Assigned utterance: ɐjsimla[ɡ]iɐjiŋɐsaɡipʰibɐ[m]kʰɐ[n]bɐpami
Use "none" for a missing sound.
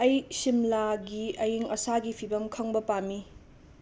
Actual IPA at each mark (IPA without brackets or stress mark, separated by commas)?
ɡ, m, ŋ